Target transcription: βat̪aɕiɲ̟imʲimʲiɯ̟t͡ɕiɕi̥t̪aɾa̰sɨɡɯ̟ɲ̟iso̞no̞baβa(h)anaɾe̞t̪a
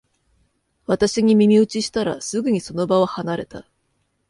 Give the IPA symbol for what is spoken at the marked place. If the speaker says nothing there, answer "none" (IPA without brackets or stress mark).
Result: h